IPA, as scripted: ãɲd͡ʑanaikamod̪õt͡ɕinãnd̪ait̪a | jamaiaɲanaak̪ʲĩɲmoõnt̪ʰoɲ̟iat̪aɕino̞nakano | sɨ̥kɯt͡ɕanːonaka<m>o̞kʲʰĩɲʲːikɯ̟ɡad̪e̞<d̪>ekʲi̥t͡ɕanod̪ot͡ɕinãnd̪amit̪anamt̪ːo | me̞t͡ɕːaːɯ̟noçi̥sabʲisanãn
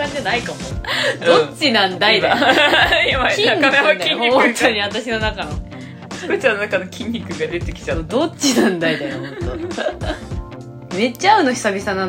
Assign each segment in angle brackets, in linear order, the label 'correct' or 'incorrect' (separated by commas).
incorrect, incorrect